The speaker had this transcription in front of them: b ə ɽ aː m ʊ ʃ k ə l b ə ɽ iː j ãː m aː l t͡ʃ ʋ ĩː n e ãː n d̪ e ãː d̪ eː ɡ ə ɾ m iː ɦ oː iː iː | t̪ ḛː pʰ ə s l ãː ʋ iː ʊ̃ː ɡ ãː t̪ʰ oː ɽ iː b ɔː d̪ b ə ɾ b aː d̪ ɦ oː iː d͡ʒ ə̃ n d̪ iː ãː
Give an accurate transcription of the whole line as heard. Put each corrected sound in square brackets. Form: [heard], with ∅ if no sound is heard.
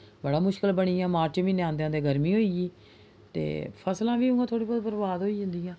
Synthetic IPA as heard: b ə ɽ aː m ʊ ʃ k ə l b ə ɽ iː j ãː m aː [ɾ] t͡ʃ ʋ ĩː n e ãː n d̪ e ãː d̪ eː ɡ ə ɾ m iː ɦ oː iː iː | t̪ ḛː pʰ ə s l ãː ʋ iː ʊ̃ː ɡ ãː t̪ʰ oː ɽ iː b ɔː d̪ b ə ɾ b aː d̪ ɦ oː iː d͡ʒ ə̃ n d̪ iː ãː